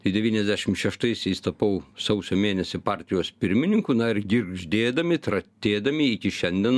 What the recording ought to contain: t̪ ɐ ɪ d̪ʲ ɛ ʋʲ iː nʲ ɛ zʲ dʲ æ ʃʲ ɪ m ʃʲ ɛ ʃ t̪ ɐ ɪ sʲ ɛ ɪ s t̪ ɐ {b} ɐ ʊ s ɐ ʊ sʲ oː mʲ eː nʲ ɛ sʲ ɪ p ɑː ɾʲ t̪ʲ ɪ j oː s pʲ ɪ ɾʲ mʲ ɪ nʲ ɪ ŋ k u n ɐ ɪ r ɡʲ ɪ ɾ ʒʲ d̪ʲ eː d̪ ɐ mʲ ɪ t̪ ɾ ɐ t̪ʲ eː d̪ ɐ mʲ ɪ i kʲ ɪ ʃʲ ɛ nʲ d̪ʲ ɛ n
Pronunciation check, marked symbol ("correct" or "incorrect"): incorrect